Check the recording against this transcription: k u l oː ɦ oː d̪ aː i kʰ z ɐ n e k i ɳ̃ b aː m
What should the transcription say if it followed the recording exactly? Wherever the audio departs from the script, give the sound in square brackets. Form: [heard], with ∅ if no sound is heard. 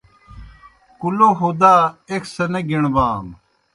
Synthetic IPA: k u l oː ɦ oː d̪ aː [e] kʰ [s] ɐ n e [ɡ] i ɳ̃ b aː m